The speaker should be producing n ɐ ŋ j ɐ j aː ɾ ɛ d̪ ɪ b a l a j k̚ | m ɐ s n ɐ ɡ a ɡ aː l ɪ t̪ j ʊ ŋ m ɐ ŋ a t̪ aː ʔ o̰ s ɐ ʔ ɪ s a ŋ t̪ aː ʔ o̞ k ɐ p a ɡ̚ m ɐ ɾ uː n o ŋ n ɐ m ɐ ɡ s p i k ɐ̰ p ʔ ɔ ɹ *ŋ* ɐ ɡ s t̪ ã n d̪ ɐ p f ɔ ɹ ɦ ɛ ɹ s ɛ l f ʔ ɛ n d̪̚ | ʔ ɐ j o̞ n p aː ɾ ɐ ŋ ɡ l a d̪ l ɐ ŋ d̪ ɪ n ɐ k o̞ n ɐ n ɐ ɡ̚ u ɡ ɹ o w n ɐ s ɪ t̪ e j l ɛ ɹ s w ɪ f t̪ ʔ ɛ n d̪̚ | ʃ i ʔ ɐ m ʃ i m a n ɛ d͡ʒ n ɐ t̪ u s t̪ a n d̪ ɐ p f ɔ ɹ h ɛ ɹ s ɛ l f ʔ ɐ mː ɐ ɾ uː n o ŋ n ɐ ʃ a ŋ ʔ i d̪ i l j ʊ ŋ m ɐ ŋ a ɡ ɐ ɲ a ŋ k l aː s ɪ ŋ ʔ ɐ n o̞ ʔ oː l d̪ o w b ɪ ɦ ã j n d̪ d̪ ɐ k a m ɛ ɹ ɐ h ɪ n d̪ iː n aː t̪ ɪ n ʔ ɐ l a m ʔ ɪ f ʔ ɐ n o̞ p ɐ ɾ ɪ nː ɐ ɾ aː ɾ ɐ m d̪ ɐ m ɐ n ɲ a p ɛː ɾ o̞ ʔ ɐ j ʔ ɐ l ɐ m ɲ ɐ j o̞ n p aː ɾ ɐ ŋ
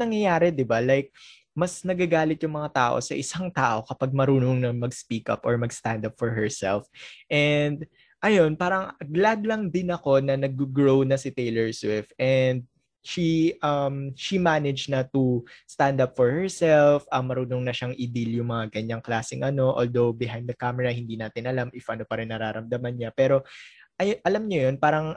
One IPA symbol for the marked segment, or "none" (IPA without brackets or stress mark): m